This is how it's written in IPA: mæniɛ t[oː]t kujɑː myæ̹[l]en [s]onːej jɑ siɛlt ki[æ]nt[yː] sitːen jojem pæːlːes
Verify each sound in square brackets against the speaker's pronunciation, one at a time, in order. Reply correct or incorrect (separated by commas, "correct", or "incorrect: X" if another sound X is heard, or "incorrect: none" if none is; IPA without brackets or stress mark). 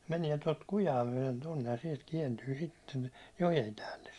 incorrect: o, correct, incorrect: t, incorrect: ɛ, correct